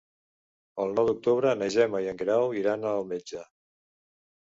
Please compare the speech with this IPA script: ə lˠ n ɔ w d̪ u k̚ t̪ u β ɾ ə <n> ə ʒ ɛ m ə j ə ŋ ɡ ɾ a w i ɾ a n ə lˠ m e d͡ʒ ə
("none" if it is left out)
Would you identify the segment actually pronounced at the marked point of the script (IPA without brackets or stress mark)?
n